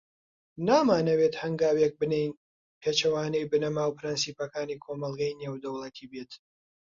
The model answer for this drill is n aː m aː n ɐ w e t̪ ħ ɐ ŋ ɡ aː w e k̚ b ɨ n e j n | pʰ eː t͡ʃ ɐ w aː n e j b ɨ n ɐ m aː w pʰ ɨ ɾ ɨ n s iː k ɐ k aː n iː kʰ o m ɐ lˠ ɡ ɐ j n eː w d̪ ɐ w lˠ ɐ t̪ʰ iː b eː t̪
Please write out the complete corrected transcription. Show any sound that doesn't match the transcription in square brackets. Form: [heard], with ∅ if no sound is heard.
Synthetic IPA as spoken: n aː m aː n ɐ w e t̪ [h] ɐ ŋ ɡ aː w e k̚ b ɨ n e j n | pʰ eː t͡ʃ ɐ w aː n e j b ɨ n ɐ m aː w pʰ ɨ ɾ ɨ n s iː [p] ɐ k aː n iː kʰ o m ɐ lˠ ɡ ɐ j n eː w d̪ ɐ w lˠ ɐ t̪ʰ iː b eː t̪